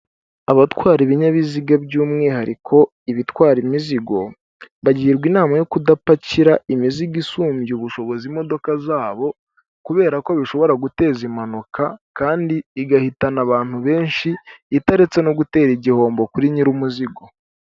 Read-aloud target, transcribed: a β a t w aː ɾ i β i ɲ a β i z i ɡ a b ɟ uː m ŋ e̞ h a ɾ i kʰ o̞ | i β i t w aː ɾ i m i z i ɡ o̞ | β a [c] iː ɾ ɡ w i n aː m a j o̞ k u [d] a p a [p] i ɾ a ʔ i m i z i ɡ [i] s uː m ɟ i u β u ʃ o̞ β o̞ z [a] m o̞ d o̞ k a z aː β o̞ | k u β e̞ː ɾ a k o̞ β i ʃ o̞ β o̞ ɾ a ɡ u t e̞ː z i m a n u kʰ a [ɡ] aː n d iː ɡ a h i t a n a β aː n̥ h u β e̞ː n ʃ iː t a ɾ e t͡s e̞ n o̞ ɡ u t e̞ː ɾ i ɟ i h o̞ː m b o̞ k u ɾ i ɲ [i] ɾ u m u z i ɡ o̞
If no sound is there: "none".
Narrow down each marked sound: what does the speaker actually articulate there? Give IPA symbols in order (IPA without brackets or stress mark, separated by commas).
ɟ, d, c, i, i, k, i